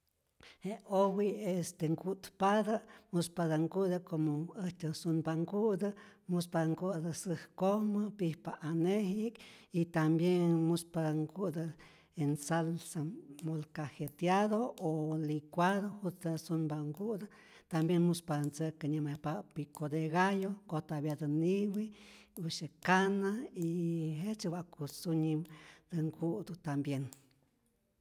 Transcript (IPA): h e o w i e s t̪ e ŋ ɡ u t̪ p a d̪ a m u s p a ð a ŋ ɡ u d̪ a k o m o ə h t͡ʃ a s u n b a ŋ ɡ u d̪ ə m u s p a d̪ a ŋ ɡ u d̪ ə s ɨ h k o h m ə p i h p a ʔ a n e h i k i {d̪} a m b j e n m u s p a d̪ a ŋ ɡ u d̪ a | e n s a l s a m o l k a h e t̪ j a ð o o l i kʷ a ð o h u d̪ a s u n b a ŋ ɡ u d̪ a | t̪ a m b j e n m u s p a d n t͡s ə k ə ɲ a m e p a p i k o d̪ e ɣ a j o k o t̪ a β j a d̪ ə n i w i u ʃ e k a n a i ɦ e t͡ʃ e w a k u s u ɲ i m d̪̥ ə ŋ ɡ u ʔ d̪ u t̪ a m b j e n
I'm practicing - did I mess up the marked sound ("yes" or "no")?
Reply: yes